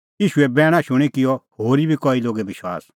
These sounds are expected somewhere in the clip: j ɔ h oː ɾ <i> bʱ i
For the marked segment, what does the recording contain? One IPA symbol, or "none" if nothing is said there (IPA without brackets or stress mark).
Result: i